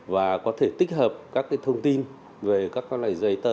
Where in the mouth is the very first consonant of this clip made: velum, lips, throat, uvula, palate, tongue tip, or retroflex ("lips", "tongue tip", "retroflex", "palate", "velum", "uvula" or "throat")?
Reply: lips